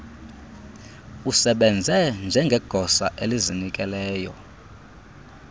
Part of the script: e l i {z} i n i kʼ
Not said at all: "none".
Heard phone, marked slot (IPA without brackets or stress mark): z